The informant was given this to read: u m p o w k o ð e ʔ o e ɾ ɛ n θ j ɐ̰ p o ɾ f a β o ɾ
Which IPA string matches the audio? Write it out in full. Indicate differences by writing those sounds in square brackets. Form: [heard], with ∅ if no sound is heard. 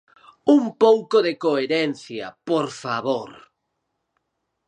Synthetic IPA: u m p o w k o ð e [k] o e ɾ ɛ n θ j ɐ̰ p o ɾ f a β o ɾ